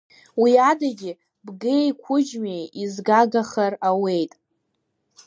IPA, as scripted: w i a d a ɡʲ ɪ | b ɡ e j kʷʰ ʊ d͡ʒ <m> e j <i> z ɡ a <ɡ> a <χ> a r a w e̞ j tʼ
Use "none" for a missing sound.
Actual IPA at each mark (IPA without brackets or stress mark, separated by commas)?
m, i, ɡ, χ